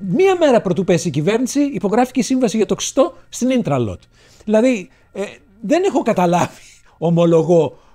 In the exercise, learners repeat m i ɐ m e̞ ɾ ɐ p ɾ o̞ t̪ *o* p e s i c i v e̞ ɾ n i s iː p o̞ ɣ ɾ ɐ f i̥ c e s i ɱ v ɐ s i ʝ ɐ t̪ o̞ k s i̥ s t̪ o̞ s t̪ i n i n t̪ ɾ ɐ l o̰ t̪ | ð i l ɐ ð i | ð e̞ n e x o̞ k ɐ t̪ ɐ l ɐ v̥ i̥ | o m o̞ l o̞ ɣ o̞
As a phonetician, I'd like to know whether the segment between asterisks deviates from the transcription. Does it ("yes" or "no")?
yes